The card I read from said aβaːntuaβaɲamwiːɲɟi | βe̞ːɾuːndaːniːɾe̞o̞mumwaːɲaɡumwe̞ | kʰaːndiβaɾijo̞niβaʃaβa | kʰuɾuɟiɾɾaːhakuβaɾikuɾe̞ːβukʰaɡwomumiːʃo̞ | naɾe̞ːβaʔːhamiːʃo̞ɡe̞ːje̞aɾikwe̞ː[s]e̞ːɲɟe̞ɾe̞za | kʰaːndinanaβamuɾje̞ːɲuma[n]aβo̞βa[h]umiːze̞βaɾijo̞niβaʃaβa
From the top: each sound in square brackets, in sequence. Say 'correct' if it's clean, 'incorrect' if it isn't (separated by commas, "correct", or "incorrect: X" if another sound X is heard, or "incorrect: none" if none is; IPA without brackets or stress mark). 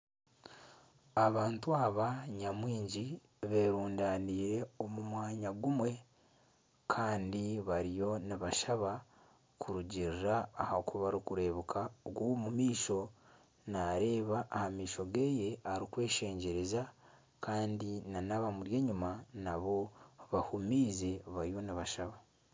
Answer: incorrect: ʃ, correct, correct